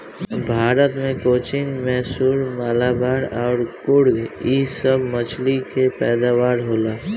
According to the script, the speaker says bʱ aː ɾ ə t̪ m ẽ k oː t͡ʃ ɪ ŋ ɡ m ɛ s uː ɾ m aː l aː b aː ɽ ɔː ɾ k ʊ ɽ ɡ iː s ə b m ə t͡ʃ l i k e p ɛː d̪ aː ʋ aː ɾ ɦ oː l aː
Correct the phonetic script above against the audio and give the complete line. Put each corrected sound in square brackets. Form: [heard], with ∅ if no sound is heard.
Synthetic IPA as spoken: bʱ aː ɾ ə t̪ m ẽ k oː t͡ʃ ɪ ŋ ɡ m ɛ s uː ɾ m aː l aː b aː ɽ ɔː ɾ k ʊ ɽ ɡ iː s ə b m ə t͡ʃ l i k e p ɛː d̪ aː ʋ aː ɾ ɦ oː l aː